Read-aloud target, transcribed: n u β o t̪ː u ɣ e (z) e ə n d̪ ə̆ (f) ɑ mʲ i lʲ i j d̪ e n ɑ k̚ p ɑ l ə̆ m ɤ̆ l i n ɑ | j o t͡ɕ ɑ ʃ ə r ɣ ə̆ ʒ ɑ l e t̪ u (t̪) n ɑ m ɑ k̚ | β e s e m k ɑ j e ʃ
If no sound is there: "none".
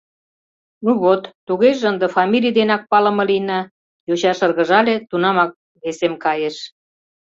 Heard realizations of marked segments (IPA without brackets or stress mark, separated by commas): ʒ, f, none